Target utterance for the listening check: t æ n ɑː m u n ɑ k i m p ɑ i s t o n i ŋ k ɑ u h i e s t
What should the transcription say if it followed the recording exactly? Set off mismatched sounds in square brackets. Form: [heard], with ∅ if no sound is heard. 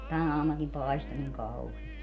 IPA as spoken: t æ n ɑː m u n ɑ k i m p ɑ i s t o n i ŋ k ɑ u h i e s t